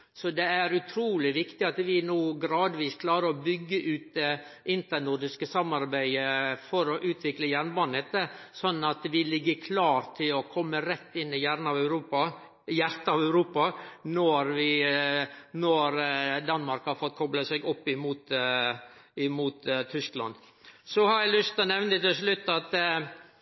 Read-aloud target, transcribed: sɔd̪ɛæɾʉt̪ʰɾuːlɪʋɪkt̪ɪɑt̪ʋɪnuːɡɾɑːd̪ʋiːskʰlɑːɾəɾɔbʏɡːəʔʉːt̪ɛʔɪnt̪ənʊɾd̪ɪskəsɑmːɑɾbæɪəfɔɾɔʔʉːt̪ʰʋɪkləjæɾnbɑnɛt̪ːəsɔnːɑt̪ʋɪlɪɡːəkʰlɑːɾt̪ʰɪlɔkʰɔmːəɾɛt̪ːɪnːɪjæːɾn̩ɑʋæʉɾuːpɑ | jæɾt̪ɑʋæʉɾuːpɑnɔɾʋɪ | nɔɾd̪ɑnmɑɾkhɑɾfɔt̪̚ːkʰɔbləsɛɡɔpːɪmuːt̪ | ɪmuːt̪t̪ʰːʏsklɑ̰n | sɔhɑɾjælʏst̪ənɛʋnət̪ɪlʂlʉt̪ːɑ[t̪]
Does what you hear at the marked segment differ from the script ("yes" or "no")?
no